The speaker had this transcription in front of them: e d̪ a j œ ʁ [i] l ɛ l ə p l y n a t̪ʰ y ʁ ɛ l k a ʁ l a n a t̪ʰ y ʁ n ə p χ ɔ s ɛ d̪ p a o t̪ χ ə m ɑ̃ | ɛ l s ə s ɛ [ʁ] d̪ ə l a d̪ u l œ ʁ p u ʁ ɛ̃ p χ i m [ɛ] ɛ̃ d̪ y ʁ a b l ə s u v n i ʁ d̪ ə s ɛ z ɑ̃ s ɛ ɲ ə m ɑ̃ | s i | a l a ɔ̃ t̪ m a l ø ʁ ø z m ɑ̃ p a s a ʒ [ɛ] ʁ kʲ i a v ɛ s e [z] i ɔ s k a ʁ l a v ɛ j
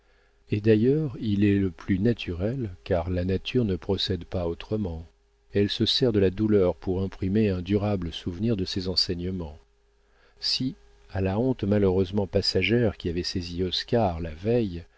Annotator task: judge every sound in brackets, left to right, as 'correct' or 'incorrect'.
correct, correct, incorrect, correct, correct

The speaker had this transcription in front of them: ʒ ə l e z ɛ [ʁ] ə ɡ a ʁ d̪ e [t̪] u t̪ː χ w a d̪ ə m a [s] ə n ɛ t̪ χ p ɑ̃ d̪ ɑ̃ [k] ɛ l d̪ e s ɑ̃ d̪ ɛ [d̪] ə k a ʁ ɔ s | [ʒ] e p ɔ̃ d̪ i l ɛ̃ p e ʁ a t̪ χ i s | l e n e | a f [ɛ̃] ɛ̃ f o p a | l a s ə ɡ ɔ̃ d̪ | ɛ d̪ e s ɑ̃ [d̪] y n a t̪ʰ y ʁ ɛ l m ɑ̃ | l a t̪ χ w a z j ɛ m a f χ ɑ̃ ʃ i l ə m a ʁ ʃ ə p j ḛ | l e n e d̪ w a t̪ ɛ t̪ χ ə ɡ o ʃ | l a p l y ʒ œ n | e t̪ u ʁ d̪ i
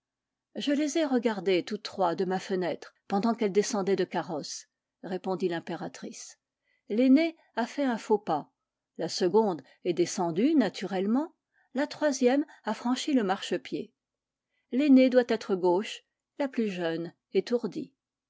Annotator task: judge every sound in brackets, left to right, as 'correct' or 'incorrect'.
correct, correct, incorrect, correct, correct, incorrect, incorrect, correct

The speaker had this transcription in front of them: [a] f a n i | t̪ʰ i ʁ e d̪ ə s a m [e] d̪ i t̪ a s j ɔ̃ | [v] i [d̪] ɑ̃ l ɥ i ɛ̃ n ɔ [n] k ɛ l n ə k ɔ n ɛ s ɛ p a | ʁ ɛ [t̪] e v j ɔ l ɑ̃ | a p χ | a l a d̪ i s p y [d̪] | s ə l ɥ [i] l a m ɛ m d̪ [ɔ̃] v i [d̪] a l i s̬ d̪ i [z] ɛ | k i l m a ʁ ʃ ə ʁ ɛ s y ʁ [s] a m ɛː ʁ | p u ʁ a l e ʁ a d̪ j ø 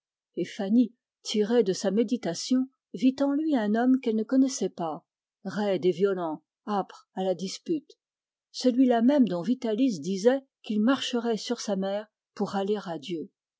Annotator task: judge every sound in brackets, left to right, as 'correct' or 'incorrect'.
incorrect, correct, correct, incorrect, incorrect, incorrect, incorrect, correct, correct, incorrect, correct, correct

